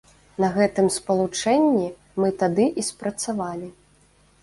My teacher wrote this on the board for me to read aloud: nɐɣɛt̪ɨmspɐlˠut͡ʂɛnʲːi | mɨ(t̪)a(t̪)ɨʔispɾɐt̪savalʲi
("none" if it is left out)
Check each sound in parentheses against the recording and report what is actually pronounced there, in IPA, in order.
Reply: t̪, d̪

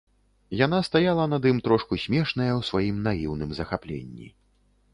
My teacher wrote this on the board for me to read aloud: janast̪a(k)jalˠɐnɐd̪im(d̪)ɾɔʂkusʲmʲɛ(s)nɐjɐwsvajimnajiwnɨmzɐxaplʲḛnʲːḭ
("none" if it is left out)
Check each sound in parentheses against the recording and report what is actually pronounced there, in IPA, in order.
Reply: none, t̪, ʂ

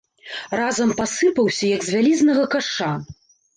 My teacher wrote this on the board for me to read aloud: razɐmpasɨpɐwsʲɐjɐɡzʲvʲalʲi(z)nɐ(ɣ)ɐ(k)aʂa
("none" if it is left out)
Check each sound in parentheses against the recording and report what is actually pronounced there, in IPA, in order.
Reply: z, ɣ, k

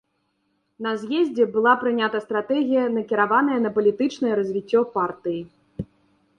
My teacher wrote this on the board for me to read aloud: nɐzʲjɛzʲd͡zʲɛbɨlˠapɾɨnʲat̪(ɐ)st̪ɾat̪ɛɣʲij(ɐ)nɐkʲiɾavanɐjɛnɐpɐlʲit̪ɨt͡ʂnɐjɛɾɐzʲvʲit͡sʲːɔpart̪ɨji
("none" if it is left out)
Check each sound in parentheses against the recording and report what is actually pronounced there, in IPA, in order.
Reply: ɐ, ɐ

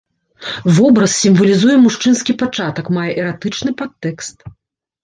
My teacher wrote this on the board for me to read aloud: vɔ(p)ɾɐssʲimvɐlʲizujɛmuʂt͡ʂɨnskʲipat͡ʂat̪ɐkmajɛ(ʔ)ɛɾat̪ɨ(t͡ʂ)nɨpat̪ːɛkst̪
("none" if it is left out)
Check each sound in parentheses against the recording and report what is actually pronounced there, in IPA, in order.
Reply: b, ʔ, t͡ʂ

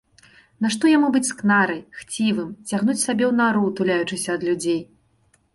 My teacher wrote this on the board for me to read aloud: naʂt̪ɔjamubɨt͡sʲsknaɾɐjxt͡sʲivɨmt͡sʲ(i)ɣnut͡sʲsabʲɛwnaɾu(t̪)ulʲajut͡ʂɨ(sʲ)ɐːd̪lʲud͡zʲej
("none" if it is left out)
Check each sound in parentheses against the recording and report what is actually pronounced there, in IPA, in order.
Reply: a, t̪, sʲ

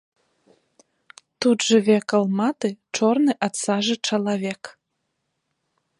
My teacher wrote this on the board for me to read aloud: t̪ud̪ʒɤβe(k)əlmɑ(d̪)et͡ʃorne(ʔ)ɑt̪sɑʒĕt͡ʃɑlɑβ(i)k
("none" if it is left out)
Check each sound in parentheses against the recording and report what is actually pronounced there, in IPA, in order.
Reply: k, t̪, ʔ, e

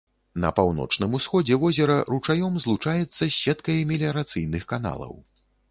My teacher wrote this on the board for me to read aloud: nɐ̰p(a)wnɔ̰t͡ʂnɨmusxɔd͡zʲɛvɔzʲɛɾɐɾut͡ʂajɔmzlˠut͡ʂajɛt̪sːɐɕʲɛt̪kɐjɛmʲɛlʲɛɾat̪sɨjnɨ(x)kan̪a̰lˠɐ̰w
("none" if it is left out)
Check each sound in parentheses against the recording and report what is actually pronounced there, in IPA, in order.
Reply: a, x

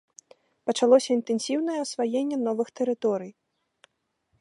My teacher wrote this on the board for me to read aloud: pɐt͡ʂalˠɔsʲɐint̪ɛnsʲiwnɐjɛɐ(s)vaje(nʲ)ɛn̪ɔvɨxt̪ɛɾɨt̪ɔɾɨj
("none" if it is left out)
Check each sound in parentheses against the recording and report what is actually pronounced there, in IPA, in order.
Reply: s, nʲː

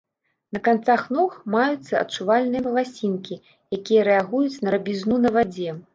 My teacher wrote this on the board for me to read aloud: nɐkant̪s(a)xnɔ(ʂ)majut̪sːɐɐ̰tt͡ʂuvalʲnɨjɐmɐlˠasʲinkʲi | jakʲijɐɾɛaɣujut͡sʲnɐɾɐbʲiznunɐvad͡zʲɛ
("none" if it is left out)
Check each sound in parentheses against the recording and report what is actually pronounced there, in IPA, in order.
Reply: a, x

